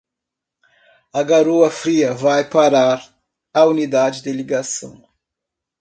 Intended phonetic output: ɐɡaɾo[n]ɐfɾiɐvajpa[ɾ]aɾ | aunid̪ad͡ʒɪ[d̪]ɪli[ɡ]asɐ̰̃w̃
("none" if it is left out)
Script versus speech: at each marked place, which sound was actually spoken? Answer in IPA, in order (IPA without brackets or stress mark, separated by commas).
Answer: none, ɾ, d̪, ɡ